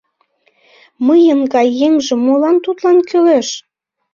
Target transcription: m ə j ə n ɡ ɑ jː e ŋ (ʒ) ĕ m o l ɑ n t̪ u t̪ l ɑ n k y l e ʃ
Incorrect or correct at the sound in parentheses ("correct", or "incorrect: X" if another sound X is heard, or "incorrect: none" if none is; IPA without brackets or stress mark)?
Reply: correct